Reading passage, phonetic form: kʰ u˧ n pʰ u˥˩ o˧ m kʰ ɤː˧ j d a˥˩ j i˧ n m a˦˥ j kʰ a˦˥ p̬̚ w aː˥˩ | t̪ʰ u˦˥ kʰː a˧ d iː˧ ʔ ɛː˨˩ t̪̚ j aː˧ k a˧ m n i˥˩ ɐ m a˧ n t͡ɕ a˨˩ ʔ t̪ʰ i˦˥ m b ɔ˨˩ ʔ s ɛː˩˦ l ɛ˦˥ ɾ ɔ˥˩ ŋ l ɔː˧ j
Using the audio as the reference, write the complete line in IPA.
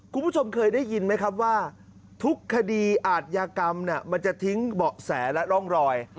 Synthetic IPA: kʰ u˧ n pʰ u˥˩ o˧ m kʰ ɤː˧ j d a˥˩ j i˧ n m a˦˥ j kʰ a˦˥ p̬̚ w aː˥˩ | t̪ʰ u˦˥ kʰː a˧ d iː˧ ʔ aː˨˩ t̪̚ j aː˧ k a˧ m n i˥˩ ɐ m a˧ n t͡ɕ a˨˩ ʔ t̪ʰ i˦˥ ŋ b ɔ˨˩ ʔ s ɛː˩˦ l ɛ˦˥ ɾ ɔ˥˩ ŋ ɾ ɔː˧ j